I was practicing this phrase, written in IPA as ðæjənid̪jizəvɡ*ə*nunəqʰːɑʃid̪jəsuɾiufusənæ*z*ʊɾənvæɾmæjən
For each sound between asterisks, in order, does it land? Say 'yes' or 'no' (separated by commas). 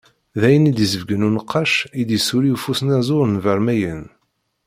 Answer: yes, yes